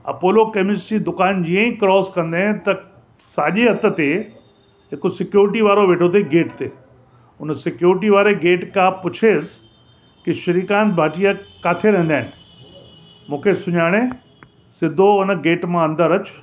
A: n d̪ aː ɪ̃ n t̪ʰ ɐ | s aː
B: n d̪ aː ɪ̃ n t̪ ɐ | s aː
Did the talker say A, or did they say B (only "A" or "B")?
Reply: B